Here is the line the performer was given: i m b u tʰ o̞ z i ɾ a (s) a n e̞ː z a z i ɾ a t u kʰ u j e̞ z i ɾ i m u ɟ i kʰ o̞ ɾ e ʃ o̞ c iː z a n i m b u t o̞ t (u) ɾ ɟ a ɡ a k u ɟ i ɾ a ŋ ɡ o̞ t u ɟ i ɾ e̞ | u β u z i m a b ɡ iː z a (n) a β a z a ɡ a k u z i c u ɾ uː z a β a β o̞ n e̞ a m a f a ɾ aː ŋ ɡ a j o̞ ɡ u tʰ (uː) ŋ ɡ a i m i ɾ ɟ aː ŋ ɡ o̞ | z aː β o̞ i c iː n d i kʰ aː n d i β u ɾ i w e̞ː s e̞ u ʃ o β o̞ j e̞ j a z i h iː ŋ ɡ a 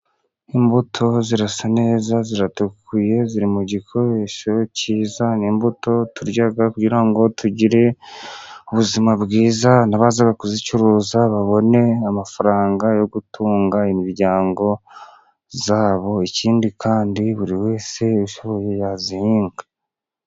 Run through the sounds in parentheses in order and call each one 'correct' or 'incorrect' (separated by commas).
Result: correct, correct, correct, correct